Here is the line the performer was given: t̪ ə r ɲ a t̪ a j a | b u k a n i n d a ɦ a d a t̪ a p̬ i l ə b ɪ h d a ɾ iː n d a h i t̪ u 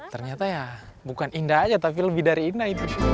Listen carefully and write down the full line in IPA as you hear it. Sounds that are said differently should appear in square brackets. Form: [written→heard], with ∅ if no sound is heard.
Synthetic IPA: t̪ ə r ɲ a t̪ a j a | b u k a n i n d a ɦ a [d→d͡ʒ] a t̪ a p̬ i l ə b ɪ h d a ɾ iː n d a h i t̪ u